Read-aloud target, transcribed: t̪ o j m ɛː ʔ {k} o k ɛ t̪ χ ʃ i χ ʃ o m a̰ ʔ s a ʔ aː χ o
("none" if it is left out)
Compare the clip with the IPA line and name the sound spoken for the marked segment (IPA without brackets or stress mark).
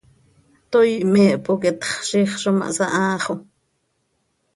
p